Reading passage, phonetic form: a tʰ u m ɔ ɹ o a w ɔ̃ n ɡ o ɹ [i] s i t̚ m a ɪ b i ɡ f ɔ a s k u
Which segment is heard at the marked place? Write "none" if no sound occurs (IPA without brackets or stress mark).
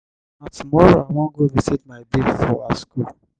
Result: i